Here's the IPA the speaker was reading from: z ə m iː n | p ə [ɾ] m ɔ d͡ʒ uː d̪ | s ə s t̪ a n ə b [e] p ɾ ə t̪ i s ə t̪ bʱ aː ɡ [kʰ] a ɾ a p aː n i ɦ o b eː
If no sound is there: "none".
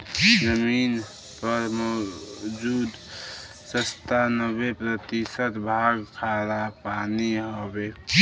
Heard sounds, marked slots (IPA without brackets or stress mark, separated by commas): ɾ, e, kʰ